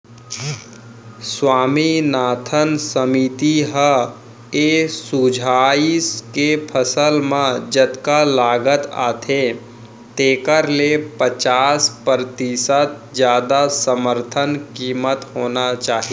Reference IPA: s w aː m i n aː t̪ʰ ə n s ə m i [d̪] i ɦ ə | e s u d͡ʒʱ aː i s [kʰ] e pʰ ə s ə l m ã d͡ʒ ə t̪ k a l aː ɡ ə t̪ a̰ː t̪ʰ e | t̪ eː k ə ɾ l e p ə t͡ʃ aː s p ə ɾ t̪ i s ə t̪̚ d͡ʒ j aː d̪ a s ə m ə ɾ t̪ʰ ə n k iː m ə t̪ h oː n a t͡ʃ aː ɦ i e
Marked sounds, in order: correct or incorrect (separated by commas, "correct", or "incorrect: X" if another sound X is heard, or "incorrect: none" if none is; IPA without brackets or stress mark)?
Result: incorrect: t̪, incorrect: k